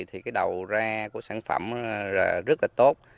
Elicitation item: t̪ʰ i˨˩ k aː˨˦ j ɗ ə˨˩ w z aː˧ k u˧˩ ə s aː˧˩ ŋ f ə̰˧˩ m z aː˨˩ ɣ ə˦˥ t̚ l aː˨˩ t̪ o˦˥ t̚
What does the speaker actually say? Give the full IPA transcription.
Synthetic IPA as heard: t̪ʰ i˨˩ k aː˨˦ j ɗ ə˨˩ w z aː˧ k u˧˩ ə s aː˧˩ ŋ f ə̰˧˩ m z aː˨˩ z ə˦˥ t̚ l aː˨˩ t̪ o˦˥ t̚